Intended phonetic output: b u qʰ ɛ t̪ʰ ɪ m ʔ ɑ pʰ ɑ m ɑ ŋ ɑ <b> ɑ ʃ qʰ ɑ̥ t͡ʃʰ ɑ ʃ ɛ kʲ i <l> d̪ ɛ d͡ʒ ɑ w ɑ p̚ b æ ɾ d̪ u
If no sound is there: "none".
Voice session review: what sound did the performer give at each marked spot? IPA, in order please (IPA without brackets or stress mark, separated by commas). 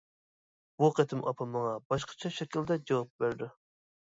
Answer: b, l